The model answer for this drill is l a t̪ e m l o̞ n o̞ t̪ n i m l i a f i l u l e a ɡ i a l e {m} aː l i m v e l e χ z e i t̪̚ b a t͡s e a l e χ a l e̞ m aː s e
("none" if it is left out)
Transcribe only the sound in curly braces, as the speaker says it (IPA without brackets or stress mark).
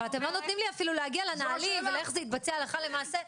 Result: n